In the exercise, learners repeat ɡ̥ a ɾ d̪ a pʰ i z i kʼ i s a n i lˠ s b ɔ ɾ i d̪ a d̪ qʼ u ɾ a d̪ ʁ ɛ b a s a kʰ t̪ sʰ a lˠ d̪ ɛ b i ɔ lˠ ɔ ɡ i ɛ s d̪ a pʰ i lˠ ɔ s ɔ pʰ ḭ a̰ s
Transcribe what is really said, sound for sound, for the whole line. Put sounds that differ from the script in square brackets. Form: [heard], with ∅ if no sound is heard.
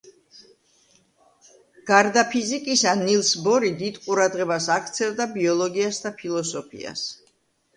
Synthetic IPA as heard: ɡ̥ a ɾ d̪ a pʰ i z i kʼ i s a n i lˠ s b ɔ ɾ i d̪ [i] d̪ qʼ u ɾ a d̪ ʁ ɛ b a s a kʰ t̪ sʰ [ɛ] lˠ d̪ [a] b i ɔ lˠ ɔ ɡ i [a] s d̪ a pʰ i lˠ ɔ s ɔ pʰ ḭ a̰ s